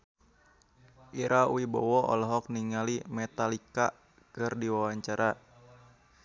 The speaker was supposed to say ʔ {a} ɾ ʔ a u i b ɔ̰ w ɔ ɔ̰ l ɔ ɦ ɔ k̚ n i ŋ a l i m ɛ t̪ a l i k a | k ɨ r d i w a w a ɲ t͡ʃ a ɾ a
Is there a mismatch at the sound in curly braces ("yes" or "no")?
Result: yes